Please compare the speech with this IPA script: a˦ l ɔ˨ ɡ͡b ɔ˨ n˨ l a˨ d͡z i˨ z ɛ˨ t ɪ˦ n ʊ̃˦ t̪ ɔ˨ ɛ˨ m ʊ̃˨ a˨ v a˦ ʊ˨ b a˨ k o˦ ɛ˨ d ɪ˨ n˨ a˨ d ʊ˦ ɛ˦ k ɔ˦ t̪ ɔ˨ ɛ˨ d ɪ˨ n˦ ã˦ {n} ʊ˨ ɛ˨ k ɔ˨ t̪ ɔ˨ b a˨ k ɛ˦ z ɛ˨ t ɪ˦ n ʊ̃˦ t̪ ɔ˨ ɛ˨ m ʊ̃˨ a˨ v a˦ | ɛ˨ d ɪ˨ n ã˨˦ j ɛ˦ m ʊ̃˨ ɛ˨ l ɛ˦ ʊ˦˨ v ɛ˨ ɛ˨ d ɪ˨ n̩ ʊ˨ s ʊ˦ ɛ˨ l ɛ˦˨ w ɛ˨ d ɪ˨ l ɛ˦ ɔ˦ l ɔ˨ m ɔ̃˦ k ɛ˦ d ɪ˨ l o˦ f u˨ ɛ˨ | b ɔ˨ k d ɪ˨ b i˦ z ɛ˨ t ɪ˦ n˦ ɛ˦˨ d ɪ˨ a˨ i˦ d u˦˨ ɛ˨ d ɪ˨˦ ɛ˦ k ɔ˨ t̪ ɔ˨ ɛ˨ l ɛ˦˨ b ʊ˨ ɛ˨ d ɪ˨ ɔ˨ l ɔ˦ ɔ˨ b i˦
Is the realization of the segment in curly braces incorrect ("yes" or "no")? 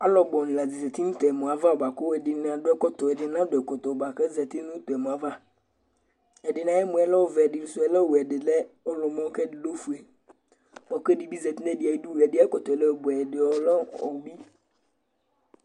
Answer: yes